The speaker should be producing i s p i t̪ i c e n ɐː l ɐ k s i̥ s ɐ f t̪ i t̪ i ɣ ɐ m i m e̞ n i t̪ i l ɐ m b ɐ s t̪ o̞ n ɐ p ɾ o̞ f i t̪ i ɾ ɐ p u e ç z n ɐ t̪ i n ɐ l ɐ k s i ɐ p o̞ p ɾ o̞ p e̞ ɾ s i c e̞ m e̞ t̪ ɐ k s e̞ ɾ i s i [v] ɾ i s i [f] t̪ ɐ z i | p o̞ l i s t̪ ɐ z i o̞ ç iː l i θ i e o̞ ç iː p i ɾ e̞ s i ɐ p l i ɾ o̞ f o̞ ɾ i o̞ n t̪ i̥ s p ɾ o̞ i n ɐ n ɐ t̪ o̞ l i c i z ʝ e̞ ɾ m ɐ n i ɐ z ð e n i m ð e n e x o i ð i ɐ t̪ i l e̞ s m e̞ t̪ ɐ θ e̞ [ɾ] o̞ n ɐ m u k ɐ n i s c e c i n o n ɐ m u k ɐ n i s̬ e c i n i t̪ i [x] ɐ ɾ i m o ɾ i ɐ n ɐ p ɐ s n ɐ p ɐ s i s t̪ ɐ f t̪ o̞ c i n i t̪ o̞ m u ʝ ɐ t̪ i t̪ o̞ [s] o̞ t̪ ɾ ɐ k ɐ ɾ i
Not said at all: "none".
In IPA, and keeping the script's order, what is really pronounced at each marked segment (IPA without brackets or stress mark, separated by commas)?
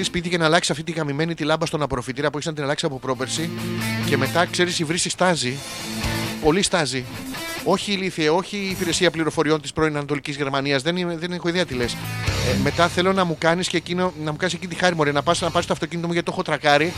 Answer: v, s, l, x, x